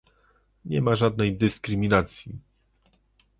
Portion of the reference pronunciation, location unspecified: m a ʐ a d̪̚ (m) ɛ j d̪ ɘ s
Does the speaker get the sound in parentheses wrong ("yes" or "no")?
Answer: yes